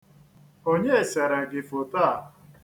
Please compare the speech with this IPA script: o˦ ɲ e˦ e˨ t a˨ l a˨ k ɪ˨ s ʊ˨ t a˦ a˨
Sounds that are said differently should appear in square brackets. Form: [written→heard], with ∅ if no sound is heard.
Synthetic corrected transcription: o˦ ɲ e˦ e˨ [t→s] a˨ [l→ɾ] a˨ [k→ɡ] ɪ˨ [s→f] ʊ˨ t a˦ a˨